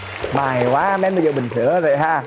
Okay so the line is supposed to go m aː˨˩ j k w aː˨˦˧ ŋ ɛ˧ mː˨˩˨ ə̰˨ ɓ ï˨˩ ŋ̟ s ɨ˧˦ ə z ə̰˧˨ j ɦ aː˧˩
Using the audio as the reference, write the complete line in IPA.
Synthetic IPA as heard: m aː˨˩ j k w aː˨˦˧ m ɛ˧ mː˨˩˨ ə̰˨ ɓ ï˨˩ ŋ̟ s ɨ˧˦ ə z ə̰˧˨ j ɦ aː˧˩